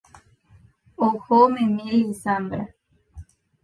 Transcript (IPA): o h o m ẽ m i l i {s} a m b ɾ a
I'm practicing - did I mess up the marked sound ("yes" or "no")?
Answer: no